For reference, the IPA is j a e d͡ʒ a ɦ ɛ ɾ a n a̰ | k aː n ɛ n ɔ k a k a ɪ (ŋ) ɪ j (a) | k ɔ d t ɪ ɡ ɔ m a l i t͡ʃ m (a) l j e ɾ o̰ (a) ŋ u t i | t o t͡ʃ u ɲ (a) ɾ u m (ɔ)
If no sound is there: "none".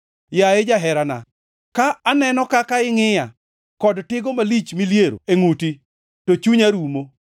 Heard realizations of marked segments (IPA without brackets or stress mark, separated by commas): ŋ, a, i, e, a, o